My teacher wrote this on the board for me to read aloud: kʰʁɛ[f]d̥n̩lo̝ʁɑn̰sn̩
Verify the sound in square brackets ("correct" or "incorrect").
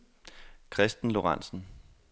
incorrect